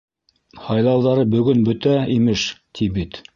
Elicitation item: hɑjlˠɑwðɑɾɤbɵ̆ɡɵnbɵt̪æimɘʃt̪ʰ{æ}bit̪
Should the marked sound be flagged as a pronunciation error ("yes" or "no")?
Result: yes